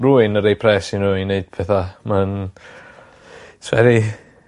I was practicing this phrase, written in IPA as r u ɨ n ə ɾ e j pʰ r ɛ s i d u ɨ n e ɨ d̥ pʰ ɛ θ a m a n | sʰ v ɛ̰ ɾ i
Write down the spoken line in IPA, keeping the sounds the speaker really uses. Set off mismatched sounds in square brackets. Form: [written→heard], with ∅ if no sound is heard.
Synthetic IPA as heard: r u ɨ n ə ɾ e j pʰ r ɛ s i [d→n] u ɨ n e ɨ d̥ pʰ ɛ θ a m a n | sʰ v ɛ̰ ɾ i